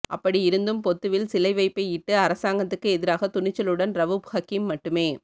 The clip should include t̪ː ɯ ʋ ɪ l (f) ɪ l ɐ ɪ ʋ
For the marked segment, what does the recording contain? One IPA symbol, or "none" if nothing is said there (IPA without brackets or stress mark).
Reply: s